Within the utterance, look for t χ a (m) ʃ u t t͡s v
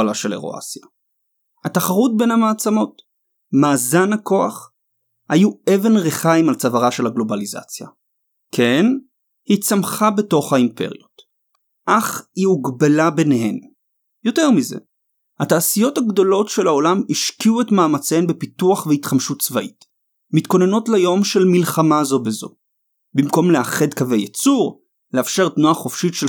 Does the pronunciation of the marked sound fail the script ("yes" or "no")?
no